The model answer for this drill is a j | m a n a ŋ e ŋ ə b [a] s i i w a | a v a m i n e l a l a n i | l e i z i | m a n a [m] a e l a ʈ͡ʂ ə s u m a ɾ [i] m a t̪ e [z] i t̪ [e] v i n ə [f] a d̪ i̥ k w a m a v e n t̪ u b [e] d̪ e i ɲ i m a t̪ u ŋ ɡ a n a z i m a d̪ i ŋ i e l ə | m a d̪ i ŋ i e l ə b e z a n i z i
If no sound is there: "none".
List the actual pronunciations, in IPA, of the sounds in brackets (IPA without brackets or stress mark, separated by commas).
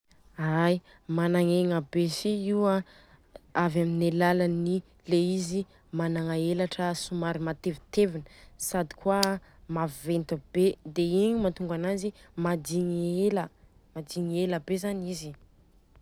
e, ŋ, i, v, e, s, e